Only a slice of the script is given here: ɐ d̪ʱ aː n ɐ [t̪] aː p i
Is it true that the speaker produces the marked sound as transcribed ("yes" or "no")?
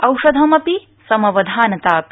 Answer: yes